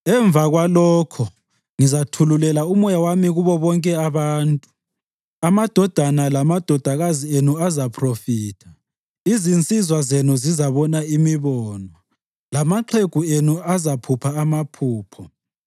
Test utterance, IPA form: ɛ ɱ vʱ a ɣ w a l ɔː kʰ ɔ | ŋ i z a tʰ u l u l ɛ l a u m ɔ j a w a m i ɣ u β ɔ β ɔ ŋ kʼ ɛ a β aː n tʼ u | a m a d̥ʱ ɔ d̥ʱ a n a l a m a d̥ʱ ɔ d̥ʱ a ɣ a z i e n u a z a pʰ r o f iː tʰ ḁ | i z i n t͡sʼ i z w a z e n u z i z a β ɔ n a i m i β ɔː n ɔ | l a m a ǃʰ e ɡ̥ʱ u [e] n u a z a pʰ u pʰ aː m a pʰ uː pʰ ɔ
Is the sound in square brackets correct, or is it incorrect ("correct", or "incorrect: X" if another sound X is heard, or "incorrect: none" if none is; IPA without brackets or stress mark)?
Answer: correct